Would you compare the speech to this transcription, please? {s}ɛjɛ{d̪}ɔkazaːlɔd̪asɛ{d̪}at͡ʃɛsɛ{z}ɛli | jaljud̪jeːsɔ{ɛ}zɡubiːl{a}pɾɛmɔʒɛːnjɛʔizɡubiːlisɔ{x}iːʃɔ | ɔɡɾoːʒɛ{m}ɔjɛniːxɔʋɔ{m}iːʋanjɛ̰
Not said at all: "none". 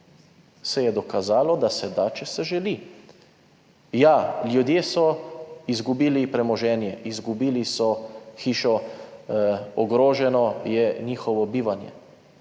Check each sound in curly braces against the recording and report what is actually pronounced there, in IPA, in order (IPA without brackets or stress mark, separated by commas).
s, d̪, d̪, ʒ, i, i, x, n, b